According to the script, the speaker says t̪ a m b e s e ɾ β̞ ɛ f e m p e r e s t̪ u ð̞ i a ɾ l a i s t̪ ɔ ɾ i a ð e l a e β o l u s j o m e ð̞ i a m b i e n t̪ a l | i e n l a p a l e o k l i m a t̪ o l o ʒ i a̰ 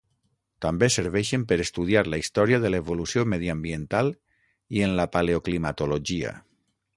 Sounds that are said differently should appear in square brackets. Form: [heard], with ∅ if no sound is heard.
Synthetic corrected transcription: t̪ a m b e s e ɾ β̞ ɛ [ʃ] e m p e [ɾ] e s t̪ u ð̞ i a ɾ l a i s t̪ ɔ ɾ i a ð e l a e β o l u s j o m e ð̞ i a m b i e n t̪ a l | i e n l a p a l e o k l i m a t̪ o l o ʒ i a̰